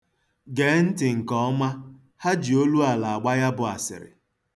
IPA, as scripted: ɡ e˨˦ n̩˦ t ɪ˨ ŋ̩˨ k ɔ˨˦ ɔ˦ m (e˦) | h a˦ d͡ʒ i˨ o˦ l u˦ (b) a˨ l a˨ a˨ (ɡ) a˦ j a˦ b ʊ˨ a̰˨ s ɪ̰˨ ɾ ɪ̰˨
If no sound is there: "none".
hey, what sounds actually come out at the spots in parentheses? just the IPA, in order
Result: a˦, none, ɡ͡b

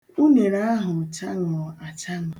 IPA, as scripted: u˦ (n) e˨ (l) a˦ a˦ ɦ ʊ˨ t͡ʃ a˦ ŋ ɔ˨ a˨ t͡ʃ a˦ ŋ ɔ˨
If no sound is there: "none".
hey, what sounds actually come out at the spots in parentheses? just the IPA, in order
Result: n, ɾ

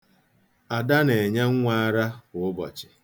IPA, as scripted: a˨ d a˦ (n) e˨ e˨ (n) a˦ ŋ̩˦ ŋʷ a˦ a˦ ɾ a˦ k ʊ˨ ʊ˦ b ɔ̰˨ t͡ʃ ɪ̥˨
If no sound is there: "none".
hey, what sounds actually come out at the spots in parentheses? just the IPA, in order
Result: n, ɲ

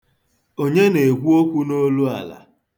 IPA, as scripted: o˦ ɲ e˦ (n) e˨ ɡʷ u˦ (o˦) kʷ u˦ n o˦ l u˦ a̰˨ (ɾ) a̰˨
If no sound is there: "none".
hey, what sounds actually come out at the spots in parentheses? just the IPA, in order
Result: n, o˦, l

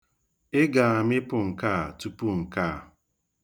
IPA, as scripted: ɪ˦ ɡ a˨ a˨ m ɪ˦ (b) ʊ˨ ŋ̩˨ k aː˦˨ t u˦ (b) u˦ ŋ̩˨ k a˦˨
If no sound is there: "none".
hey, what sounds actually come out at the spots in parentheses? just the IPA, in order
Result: p, p

